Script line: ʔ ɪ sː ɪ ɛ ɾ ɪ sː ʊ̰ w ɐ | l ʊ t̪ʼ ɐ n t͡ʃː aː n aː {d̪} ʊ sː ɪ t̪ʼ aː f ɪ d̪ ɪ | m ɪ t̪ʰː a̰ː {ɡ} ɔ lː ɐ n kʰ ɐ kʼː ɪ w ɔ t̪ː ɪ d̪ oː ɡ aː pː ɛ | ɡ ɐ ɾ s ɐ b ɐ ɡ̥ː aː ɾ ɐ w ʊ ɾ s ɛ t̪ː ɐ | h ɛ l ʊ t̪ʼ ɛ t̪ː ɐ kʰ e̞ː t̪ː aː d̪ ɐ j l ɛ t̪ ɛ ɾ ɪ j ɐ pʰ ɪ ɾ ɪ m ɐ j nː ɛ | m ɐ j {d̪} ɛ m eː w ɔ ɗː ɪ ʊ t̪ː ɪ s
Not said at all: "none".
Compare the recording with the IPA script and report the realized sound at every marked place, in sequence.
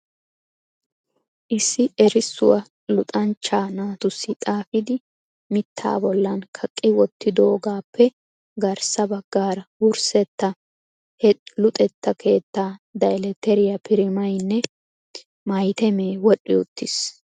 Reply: t̪, b, t̪

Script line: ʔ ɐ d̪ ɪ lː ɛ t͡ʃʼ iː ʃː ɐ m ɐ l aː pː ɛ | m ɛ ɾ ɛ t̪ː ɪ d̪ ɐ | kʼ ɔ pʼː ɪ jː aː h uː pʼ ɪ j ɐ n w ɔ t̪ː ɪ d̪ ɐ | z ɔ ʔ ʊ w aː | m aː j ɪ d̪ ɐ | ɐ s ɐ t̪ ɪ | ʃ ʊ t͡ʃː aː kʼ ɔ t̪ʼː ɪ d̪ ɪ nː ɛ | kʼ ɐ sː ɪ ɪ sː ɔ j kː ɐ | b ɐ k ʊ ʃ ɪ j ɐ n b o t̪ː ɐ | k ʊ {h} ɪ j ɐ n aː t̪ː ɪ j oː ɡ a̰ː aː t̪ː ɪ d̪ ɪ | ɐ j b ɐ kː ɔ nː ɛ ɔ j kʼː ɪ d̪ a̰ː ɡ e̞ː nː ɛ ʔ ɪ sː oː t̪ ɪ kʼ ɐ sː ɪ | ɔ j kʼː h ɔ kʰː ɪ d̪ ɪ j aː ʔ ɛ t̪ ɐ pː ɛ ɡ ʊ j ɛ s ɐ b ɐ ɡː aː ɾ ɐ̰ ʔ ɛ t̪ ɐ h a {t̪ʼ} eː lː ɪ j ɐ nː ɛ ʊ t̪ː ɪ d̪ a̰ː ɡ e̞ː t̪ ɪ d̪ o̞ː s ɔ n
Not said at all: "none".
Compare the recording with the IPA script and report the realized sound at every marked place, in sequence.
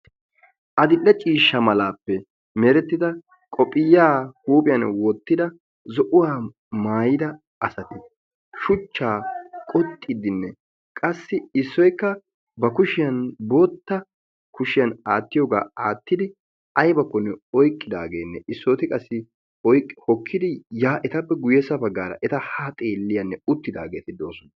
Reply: ʃ, t̪ʼ

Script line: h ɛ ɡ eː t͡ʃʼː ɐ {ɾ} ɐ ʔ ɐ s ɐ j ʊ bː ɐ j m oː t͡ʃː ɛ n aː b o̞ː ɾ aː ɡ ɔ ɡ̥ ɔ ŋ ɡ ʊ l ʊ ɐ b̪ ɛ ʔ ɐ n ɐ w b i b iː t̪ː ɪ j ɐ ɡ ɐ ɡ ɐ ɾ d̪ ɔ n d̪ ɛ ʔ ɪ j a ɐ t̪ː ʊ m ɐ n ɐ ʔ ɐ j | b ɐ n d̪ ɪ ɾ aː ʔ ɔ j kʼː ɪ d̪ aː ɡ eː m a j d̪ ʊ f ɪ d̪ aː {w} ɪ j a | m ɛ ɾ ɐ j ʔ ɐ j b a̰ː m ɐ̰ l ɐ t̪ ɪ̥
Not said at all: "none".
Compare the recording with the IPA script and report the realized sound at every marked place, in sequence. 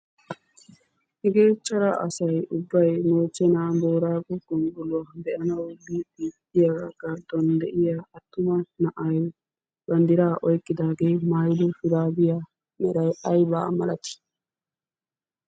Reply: ɾ, b

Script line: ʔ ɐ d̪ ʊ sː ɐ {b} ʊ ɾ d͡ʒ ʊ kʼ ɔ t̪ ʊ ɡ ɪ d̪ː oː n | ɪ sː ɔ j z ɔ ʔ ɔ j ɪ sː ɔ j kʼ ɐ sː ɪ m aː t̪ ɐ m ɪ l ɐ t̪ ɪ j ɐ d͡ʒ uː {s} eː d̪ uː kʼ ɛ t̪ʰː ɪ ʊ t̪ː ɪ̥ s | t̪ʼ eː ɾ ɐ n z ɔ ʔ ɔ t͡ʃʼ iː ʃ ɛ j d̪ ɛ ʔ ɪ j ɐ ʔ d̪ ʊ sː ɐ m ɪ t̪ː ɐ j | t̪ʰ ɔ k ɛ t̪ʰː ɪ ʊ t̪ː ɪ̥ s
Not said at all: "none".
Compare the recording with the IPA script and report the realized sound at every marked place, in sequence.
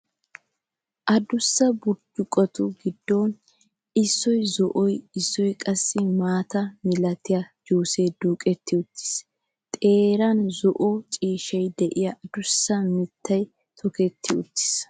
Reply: b, s

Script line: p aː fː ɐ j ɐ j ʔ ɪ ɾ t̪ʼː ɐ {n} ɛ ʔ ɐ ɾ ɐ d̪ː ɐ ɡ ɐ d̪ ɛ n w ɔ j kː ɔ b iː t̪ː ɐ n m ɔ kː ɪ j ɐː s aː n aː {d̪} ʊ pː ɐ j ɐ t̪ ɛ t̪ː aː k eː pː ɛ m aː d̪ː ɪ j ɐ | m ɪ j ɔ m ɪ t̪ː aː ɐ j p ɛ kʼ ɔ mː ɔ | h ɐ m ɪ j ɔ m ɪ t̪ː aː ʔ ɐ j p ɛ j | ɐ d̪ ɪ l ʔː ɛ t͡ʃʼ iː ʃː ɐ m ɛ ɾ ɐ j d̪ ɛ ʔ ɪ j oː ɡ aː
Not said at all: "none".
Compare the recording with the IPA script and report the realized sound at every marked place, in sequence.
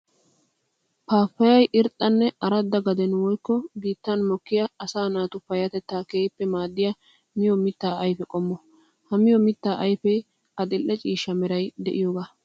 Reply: nː, t̪

